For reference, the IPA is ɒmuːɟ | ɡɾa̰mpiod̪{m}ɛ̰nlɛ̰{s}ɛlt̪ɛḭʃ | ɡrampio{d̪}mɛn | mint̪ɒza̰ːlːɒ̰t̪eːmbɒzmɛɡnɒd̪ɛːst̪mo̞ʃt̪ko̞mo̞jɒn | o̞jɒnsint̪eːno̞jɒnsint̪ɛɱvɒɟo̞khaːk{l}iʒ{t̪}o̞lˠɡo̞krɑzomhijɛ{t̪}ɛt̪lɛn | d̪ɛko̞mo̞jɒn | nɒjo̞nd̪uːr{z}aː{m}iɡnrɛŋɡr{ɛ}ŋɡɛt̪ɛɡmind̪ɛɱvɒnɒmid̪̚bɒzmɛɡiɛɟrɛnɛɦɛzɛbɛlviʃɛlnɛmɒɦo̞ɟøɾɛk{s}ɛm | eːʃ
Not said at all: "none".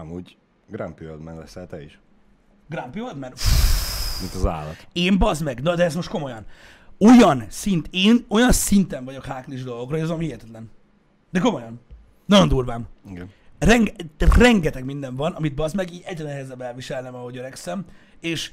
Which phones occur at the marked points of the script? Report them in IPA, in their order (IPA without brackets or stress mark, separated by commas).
m, s, d̪, l, d̪, t̪, v, m, ɛ, s